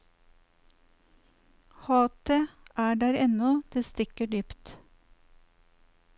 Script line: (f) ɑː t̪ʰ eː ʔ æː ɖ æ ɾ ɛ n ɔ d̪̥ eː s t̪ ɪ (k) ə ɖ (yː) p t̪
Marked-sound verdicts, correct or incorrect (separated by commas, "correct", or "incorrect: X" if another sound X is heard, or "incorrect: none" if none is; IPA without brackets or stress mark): incorrect: h, correct, correct